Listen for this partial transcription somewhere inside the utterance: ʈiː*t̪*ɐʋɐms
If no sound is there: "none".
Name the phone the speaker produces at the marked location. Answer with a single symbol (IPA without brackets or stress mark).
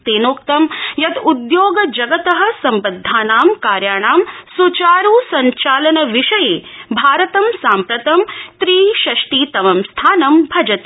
t̪